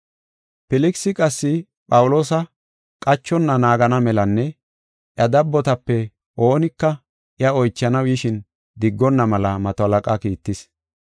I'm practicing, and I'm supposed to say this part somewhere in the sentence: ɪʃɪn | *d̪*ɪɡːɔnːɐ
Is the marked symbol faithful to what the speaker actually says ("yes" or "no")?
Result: yes